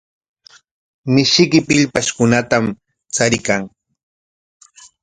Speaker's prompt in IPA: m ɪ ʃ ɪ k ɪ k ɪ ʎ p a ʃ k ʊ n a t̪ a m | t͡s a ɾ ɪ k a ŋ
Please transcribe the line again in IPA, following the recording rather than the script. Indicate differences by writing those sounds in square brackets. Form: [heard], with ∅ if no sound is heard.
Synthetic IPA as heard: m ɪ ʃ ɪ k ɪ [p] ɪ ʎ p a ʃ k ʊ n a t̪ a m | t͡s a ɾ ɪ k a ŋ